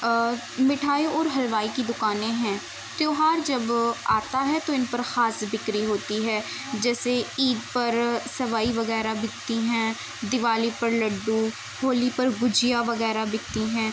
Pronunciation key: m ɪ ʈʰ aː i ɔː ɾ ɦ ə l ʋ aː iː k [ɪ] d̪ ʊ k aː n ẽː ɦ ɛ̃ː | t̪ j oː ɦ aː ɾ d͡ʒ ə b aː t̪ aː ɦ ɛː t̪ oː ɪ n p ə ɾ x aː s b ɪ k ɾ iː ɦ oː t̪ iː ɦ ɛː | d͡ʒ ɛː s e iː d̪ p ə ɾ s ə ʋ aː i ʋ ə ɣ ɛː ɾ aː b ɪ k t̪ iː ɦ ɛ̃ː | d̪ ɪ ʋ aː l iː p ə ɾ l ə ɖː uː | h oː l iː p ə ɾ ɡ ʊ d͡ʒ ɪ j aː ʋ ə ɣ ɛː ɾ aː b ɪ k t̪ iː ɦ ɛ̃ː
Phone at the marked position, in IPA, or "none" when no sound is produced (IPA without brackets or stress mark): i